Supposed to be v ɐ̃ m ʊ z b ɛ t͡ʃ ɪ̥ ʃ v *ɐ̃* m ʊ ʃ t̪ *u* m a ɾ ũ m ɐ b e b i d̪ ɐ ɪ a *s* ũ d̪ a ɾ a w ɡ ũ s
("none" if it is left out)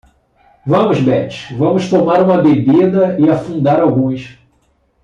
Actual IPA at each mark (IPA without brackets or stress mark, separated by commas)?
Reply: ɐ̃, o, f